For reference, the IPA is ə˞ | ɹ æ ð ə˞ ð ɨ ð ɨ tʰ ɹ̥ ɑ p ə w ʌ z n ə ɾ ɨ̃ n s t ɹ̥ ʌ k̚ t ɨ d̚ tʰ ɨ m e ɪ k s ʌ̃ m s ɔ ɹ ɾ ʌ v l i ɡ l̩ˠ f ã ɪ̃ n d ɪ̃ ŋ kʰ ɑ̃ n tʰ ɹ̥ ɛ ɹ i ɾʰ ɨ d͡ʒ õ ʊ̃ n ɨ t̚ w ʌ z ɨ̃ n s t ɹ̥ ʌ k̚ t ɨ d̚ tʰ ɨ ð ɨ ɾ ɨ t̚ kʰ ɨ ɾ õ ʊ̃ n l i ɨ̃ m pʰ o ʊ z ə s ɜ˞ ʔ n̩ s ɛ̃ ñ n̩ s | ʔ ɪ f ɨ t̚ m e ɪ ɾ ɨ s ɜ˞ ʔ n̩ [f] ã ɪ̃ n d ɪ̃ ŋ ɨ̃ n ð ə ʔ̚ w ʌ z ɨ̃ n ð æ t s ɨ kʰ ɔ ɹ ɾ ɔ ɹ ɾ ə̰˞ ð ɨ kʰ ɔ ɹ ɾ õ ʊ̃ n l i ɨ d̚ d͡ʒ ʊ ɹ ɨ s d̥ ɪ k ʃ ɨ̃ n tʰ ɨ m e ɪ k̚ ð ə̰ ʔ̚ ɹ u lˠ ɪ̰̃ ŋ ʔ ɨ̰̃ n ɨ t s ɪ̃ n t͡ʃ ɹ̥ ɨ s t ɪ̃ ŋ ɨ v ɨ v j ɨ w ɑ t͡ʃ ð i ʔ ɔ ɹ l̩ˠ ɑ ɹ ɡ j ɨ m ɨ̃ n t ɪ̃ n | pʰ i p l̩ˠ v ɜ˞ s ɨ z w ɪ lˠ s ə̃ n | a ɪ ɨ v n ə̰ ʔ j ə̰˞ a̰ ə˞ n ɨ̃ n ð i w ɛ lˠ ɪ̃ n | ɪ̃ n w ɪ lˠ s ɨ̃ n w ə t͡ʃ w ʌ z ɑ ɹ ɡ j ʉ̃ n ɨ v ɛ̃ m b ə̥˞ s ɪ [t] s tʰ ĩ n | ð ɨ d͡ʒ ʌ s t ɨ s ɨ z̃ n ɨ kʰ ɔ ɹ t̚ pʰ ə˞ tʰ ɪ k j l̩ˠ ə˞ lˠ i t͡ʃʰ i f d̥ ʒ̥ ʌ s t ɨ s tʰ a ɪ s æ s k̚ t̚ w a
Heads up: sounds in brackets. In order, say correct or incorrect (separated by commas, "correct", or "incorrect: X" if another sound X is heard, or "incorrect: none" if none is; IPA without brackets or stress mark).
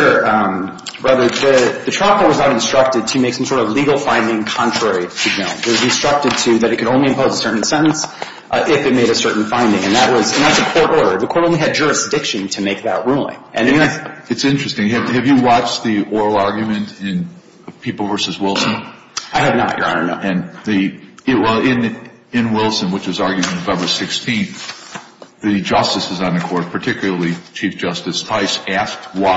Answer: correct, incorrect: k